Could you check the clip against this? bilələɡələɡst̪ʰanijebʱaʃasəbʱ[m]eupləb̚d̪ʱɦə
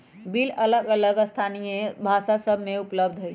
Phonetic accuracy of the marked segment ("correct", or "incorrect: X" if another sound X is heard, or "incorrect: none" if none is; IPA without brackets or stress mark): correct